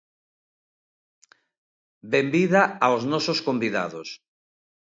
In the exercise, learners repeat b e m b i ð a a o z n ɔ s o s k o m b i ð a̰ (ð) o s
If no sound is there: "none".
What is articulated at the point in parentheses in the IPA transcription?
ð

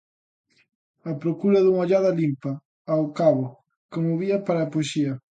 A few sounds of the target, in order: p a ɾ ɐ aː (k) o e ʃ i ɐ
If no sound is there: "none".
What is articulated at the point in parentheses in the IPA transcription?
p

